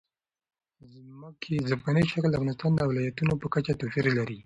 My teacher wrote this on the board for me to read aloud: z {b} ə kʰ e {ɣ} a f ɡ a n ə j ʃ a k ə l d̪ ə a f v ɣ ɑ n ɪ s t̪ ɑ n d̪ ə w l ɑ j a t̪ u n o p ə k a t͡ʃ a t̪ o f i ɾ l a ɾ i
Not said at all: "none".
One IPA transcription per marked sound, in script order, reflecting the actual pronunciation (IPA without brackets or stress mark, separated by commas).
m, z